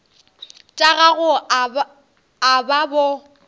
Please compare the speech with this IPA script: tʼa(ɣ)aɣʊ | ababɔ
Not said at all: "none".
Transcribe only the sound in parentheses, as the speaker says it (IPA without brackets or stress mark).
ɣ